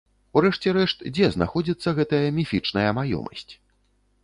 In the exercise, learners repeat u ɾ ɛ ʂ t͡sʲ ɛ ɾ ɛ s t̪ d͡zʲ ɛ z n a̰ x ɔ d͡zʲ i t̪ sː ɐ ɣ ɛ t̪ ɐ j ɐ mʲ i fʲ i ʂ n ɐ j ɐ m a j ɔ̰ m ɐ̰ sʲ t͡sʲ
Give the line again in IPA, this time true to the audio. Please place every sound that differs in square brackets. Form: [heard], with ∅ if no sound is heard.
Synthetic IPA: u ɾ ɛ ʂ t͡sʲ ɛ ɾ ɛ [ʂ] t̪ d͡zʲ ɛ z n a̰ x ɔ d͡zʲ i t̪ sː ɐ ɣ ɛ t̪ ɐ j ɐ mʲ i fʲ i [t͡ʂ] n ɐ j ɐ m a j ɔ̰ m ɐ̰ sʲ t͡sʲ